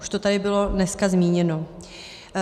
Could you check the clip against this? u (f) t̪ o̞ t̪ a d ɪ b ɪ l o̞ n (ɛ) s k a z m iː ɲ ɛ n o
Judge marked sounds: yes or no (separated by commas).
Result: no, yes